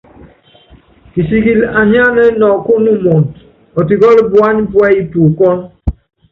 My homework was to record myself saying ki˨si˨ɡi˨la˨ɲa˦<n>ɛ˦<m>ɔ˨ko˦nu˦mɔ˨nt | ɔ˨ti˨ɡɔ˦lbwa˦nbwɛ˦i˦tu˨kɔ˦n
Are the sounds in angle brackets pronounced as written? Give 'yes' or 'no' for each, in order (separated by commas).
yes, no